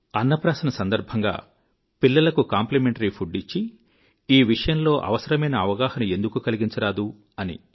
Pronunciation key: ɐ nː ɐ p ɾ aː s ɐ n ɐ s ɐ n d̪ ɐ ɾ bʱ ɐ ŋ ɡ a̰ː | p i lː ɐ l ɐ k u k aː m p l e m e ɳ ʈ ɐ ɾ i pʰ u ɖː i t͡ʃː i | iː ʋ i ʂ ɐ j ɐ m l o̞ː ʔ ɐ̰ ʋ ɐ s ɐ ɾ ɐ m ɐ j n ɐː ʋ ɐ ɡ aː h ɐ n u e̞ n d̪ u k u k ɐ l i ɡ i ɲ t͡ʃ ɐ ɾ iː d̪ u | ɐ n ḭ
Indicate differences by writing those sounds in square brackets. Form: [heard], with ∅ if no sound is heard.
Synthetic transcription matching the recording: ɐ nː ɐ p ɾ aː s ɐ n ɐ s ɐ n d̪ ɐ ɾ bʱ ɐ ŋ ɡ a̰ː | p i lː ɐ l ɐ k u k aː m p l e m e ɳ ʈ ɐ ɾ i pʰ u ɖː i t͡ʃː i | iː ʋ i ʂ ɐ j ɐ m l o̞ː ʔ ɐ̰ ʋ ɐ s ɐ ɾ ɐ m ɐ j n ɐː ʋ ɐ ɡ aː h ɐ n u e̞ n d̪ u k u k ɐ l i ɡ i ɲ t͡ʃ ɐ ɾ [aː] d̪ u | ɐ n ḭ